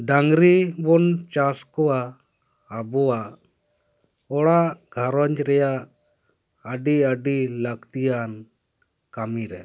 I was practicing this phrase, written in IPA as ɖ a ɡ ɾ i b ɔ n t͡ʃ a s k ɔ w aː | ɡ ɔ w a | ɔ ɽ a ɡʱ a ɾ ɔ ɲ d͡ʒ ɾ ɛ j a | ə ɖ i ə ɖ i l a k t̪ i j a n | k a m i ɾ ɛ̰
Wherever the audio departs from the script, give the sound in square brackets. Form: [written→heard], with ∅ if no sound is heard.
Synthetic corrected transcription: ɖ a [ɡ→ŋ] ɾ i b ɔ n t͡ʃ a s k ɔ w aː | [ɡ→b] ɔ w a | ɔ ɽ a ɡʱ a ɾ ɔ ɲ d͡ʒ ɾ ɛ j a | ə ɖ i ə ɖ i l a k t̪ i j a n | k a m i ɾ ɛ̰